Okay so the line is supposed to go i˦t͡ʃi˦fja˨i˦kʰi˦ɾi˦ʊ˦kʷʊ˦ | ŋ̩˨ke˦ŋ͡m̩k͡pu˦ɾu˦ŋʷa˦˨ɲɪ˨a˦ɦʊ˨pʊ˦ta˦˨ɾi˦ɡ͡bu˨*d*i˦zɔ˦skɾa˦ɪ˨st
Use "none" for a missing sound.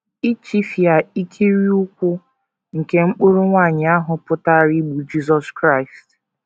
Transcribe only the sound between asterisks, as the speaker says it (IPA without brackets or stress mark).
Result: d͡ʒ